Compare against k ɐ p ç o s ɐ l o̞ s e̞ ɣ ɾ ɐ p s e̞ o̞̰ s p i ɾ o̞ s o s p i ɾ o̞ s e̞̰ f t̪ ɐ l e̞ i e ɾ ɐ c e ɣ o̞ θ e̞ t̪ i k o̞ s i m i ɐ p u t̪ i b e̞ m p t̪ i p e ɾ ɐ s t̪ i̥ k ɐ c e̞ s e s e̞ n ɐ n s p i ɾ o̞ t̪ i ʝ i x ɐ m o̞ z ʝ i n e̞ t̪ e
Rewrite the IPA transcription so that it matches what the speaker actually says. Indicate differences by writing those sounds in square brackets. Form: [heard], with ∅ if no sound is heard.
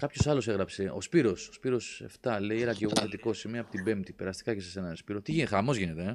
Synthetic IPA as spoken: k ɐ p ç o s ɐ l o̞ s e̞ ɣ ɾ ɐ p s e̞ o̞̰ s p i ɾ o̞ s o s p i ɾ o̞ s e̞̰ f t̪ ɐ l e̞ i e ɾ ɐ c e ɣ o̞ θ e̞ t̪ i k o̞ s i m i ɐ p [o] t̪ i b e̞ m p t̪ i p e ɾ ɐ s t̪ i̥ k ɐ c e̞ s e s e̞ n ɐ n s p i ɾ o̞ t̪ i ʝ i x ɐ m o̞ z ʝ i n e̞ t̪ e